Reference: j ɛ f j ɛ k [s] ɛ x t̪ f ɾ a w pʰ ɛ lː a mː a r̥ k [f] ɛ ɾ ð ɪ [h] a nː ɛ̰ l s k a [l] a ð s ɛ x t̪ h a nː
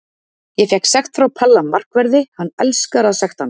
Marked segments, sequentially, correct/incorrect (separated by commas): correct, incorrect, correct, incorrect